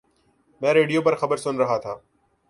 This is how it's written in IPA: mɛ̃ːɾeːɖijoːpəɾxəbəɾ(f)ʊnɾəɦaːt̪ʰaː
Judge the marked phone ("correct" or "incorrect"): incorrect